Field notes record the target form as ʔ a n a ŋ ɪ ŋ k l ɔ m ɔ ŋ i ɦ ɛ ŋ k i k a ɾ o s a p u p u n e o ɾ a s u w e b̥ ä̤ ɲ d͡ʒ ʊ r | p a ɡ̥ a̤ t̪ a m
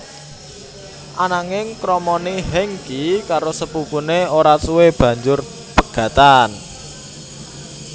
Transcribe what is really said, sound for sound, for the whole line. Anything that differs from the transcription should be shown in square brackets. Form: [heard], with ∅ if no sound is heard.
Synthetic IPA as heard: ʔ a n a ŋ ɪ ŋ k [ɾ] ɔ m ɔ [n] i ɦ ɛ ŋ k i k a ɾ o s [ə] p u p u n e o ɾ a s u w e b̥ ä̤ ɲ d͡ʒ ʊ r | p [ə] ɡ̥ a̤ t̪ a [n]